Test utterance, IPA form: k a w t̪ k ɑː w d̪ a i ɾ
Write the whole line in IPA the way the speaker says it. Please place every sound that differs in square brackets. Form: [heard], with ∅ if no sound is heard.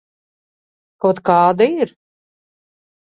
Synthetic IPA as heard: k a w t̪ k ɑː [∅] d̪ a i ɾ